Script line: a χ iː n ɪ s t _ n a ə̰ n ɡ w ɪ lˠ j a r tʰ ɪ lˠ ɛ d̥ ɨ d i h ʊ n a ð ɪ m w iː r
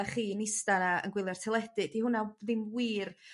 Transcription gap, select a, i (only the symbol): a